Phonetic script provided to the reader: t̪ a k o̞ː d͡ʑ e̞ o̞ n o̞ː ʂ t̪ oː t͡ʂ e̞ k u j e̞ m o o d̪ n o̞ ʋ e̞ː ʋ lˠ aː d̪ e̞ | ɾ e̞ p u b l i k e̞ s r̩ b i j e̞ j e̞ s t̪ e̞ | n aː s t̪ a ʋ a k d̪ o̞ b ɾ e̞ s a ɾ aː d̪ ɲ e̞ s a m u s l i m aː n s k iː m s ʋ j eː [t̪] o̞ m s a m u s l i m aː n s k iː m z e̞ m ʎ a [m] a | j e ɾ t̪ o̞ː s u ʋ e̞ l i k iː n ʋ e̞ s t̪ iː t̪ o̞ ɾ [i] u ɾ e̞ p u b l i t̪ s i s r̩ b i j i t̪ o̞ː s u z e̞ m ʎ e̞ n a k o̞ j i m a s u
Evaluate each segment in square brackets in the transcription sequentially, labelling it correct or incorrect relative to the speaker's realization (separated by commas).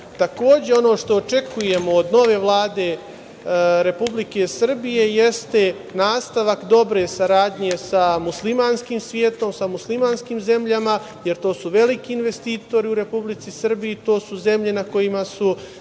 correct, correct, correct